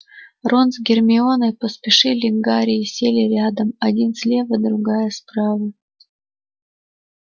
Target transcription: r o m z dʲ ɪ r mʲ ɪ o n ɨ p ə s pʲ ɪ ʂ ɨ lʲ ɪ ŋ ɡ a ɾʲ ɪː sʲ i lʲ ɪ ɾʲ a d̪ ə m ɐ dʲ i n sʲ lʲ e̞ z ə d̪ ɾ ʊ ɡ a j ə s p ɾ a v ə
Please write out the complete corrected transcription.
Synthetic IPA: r o n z ɡʲ ɪ r mʲ ɪ o n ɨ p ə s pʲ ɪ ʂ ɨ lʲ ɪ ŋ ɡ a ɾʲ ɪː sʲ e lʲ ɪ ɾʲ a d̪ ə m ɐ dʲ i n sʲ lʲ e̞ v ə d̪ ɾ ʊ ɡ a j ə s p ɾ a v ə